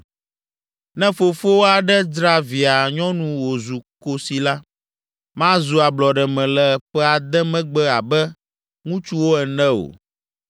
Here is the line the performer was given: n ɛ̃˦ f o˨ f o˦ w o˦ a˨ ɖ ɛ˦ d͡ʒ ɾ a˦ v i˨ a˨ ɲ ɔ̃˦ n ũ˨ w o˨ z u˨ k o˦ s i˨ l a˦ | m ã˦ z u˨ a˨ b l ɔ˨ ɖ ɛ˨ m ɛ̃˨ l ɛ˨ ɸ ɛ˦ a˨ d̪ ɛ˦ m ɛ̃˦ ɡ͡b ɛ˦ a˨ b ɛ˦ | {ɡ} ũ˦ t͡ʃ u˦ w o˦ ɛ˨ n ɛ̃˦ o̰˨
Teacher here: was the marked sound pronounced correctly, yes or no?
no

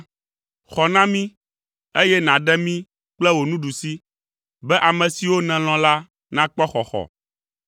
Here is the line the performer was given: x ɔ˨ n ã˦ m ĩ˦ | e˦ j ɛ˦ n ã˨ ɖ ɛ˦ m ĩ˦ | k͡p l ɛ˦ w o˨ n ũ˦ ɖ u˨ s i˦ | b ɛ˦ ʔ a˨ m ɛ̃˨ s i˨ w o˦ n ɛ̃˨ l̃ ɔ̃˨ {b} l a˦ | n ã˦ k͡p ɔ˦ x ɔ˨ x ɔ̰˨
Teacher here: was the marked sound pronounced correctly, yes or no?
no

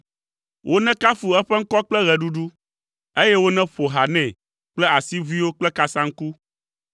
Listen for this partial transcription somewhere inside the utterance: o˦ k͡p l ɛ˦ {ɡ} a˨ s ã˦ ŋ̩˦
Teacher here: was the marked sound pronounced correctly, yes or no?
no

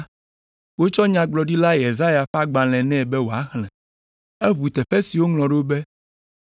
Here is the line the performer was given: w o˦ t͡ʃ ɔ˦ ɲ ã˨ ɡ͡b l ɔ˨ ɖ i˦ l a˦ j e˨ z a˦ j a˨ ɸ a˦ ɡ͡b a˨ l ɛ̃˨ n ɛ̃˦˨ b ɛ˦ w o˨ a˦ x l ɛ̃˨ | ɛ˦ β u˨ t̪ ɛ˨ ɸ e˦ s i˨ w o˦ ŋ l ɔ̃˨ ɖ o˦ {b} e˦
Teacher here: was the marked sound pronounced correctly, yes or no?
yes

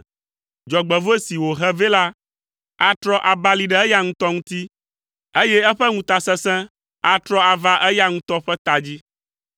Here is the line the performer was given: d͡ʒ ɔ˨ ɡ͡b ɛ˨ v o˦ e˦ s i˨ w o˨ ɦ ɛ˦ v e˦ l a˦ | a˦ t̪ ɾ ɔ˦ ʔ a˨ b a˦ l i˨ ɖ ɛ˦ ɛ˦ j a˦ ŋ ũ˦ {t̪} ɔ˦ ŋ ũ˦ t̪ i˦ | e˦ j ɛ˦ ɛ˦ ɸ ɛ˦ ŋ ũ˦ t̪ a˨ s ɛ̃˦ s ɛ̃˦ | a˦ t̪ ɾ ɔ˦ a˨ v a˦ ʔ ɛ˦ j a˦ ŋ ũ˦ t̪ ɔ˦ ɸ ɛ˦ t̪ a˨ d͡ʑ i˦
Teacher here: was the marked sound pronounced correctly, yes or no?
yes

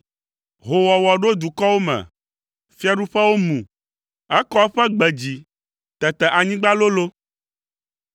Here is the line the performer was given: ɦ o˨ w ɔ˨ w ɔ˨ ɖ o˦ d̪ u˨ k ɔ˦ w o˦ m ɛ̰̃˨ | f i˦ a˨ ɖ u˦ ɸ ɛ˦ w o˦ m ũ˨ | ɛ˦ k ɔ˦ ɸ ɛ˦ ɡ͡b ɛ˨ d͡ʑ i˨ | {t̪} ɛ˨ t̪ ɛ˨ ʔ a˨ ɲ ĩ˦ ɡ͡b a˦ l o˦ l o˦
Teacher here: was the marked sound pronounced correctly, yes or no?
yes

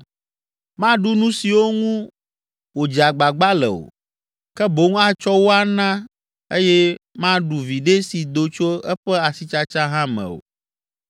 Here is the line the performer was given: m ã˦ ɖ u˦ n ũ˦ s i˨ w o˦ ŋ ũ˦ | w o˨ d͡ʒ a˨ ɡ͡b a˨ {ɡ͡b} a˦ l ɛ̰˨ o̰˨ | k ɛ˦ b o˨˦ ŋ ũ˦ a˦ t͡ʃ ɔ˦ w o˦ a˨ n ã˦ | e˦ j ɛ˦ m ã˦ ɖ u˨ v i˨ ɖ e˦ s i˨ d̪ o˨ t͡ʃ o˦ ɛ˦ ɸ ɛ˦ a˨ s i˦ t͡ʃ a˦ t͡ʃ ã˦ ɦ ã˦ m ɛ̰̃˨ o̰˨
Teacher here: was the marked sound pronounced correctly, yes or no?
yes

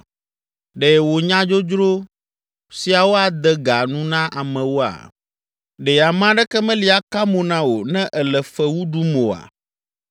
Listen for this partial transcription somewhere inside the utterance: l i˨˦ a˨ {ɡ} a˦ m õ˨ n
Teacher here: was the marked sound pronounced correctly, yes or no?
no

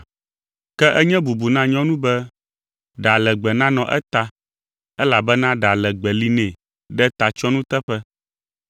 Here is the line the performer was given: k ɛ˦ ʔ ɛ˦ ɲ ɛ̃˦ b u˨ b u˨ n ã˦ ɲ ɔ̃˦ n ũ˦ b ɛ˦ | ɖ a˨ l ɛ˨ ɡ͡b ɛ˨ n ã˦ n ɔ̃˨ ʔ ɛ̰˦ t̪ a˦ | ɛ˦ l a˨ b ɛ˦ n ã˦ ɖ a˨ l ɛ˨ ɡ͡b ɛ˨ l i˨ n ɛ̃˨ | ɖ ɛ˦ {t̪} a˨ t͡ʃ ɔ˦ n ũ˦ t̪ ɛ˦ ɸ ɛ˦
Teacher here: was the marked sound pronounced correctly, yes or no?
yes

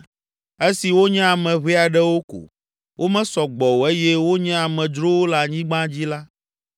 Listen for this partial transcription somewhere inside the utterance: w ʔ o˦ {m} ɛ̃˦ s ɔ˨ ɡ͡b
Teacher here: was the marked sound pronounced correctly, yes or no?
yes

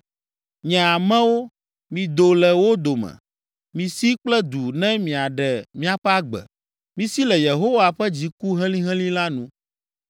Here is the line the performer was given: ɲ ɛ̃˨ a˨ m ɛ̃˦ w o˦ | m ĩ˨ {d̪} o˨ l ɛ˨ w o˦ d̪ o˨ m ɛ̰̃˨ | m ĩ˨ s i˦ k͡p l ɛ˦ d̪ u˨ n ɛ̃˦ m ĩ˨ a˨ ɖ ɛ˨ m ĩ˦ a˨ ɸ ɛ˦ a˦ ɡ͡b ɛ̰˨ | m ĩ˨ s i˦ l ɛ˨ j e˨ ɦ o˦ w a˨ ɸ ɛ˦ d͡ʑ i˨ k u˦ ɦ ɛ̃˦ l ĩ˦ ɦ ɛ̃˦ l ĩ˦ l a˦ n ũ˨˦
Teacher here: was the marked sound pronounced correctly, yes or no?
yes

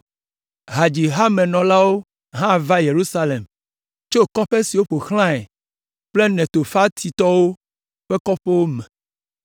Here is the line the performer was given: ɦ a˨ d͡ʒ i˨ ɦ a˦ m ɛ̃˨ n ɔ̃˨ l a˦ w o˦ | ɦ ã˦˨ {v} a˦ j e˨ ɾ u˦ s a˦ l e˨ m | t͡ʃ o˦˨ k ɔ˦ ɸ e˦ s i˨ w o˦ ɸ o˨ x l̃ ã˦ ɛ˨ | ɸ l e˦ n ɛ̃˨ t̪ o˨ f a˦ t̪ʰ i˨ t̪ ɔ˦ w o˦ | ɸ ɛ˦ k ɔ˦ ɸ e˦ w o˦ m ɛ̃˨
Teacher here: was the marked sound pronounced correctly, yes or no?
yes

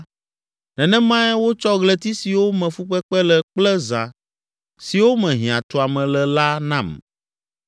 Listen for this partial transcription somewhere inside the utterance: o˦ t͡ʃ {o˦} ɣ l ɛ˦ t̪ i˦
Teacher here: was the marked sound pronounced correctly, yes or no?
no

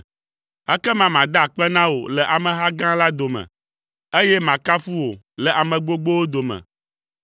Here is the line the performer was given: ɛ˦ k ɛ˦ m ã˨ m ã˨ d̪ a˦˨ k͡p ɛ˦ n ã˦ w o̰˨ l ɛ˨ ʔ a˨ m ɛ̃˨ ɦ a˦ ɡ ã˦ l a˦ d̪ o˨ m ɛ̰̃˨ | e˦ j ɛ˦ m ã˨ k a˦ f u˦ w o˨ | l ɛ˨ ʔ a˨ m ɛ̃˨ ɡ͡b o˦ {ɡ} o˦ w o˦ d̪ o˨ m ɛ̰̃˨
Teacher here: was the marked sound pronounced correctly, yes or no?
no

